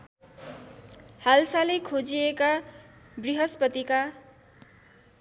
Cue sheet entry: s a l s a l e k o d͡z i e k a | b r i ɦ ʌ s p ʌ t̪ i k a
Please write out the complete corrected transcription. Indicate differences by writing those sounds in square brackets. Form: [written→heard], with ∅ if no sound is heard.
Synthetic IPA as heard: [s→h] a l s a l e [k→kʰ] o d͡z i e k a | b r i ɦ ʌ s p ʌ t̪ i k a